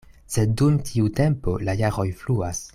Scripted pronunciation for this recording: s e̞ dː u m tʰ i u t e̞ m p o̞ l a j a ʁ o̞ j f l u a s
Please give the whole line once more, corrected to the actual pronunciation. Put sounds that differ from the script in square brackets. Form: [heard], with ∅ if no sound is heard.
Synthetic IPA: s e̞ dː u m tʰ i u t e̞ m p o̞ l a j a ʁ o̞ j f l u a s